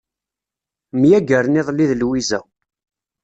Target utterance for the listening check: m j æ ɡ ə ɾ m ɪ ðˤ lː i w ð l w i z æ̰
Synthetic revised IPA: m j æ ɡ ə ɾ n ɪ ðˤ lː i ð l w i z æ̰